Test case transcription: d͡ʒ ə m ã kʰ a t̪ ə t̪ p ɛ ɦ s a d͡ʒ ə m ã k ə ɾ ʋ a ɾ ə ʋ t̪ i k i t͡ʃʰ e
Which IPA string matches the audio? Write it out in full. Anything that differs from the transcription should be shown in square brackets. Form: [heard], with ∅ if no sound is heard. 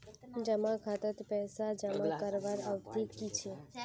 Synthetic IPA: d͡ʒ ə m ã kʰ a t̪ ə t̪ p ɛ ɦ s a d͡ʒ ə m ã k ə ɾ ʋ a ɾ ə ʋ t̪ i k i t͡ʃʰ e